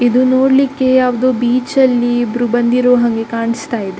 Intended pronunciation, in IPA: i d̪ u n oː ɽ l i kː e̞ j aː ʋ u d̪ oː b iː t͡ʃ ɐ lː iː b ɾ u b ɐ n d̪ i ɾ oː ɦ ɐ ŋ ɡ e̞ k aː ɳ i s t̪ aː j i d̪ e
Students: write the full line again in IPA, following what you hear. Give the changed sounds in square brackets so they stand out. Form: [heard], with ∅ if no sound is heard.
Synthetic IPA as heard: i d̪ u n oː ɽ l i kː e̞ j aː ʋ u d̪ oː b iː t͡ʃ ɐ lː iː b ɾ u b ɐ n d̪ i ɾ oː ɦ ɐ ŋ ɡ e̞ k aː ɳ i s t̪ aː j i d̪ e